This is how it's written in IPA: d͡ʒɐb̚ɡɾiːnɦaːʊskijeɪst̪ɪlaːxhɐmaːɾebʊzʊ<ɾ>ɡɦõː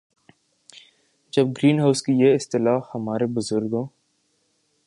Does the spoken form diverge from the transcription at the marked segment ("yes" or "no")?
no